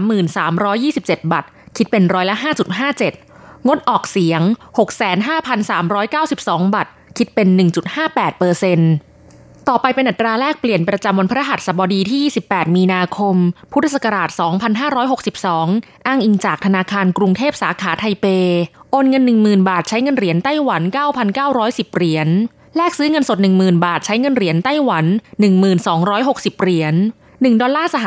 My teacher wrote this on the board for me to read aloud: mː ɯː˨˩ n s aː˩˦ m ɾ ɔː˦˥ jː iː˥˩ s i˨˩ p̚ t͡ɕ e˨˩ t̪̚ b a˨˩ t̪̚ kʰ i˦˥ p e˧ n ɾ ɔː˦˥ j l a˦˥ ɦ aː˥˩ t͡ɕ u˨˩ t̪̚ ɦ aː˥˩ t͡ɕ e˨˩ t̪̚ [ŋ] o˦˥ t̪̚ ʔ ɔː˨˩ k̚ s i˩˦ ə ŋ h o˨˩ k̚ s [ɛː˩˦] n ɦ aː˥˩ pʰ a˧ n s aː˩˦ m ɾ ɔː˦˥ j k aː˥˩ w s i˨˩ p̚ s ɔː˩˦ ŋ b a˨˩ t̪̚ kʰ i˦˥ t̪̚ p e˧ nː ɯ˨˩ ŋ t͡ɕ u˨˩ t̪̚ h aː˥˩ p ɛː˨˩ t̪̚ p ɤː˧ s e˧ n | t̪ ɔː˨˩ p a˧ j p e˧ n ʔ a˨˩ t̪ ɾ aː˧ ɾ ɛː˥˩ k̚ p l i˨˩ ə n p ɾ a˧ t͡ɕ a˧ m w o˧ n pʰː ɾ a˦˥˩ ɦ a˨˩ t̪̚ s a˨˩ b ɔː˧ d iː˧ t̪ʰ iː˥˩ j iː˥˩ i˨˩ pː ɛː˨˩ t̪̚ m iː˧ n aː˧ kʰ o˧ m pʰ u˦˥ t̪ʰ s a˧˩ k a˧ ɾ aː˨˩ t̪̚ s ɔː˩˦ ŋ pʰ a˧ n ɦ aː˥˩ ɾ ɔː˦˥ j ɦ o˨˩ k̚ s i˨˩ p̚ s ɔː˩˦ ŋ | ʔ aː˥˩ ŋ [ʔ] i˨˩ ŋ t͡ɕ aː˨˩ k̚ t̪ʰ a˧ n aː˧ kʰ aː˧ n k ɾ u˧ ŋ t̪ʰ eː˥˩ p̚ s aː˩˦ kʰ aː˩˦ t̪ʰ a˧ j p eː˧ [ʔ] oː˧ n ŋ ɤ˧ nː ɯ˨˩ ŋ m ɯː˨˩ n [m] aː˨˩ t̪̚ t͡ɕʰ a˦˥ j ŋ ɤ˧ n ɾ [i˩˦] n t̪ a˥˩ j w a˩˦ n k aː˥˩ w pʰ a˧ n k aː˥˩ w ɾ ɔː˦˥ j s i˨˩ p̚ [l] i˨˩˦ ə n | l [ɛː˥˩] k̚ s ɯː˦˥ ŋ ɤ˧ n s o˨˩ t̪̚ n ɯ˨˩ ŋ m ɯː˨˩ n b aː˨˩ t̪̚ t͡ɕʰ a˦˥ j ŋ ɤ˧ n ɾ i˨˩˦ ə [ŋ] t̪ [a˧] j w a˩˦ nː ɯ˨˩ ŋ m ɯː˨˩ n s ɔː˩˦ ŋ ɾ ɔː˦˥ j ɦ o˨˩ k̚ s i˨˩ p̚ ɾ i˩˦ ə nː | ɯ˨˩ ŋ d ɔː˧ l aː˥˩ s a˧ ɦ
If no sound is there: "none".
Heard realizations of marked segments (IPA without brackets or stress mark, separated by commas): ŋ, ɛː˩˦, ʔ, ʔ, b, i˩˦, ɾ, ɛː˥˩, n, a˥˩